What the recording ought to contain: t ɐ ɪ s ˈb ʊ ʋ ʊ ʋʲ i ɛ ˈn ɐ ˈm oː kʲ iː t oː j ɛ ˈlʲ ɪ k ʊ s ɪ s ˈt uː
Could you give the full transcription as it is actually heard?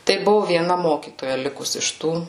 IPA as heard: t ɐ ɪ ˈb ʊ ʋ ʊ ʋʲ i ɛ ˈn ɐ ˈm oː kʲ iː t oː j ɛ ˈlʲ ɪ k ʊ s ɪ ʃ ˈt uː